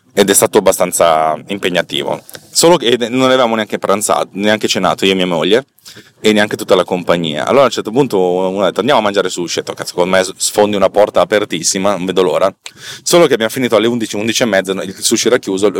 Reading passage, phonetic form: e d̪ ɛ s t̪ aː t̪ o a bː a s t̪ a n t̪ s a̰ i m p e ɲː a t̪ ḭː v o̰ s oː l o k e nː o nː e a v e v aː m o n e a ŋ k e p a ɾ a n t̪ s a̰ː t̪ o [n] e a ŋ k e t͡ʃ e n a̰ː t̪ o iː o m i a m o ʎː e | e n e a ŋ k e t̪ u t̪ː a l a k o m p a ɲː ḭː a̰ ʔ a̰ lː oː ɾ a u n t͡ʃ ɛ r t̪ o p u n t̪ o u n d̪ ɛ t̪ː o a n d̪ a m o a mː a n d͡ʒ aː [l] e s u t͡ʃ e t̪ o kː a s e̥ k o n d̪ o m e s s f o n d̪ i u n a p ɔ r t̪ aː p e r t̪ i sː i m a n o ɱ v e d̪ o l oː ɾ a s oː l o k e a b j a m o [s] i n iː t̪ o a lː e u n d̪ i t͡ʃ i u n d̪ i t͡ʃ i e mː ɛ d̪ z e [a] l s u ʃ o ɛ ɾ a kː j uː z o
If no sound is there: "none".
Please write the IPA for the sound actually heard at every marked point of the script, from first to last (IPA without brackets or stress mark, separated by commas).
n, ɾ, f, i